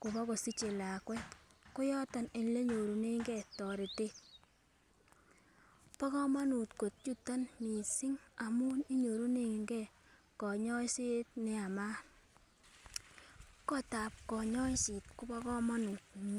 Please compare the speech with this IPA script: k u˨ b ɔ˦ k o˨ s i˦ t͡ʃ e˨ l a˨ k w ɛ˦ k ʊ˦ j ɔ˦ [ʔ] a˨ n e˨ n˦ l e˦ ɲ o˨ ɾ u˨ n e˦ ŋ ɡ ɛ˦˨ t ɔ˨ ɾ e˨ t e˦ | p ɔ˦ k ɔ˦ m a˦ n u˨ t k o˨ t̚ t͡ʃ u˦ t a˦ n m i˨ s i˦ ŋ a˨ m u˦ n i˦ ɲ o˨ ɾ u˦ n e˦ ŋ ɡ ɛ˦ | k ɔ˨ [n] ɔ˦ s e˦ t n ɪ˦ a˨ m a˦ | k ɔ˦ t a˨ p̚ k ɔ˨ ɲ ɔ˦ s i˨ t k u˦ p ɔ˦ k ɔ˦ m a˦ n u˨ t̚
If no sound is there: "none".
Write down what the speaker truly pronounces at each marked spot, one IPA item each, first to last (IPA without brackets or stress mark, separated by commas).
t, ɲ